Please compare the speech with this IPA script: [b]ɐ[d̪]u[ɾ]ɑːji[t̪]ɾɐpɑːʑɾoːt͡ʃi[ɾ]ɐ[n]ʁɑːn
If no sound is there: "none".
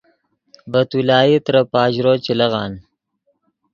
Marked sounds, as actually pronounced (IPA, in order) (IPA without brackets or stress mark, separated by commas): b, t̪, l, t̪, l, none